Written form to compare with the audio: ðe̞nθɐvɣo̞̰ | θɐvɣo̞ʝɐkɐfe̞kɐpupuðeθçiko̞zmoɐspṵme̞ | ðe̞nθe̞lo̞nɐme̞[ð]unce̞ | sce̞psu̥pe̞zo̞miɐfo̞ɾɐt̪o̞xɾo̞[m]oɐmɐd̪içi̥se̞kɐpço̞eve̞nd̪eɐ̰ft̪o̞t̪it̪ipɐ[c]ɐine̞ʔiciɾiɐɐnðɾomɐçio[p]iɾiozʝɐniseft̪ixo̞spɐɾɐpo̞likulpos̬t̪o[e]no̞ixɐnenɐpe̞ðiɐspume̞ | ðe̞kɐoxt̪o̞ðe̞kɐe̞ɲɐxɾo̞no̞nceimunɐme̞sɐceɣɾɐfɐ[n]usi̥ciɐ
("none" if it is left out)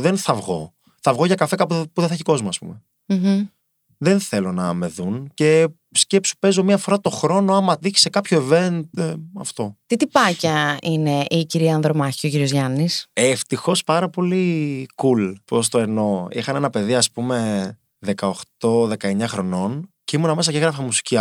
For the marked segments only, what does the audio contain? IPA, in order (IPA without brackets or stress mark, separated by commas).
ð, n, c, c, e, m